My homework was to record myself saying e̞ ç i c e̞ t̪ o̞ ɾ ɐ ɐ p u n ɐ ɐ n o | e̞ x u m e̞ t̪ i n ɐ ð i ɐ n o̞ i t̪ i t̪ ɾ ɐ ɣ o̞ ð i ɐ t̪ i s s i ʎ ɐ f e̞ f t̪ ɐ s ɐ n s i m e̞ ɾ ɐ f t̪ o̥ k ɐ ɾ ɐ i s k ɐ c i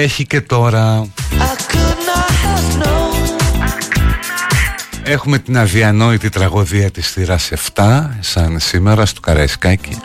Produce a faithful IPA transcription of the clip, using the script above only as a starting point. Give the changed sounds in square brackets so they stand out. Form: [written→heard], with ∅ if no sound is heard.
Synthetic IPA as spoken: e̞ ç i c e̞ t̪ o̞ ɾ ɐ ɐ [p→k] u n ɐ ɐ n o | e̞ x u m e̞ t̪ i n ɐ ð i ɐ n o̞ i t̪ i t̪ ɾ ɐ ɣ o̞ ð i ɐ t̪ i s [s→θ] i [ʎ→ɾ] ɐ [f→s] e̞ f t̪ ɐ s ɐ n s i m e̞ ɾ ɐ [f→s] t̪ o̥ k ɐ ɾ ɐ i s k ɐ c i